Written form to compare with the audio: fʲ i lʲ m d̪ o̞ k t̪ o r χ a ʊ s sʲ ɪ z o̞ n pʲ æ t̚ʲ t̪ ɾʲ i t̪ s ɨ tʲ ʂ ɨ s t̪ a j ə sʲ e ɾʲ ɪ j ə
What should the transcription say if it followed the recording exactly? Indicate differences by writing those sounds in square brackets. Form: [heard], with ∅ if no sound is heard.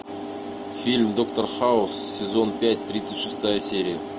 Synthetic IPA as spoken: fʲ i lʲ m d̪ o̞ k t̪ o r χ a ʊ s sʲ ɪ z o̞ n pʲ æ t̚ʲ t̪ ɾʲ i t̪ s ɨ tʲ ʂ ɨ s t̪ a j ə sʲ e ɾʲ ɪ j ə